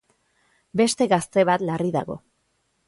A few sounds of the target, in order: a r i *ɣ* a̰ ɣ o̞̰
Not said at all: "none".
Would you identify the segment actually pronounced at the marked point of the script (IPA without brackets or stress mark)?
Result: ð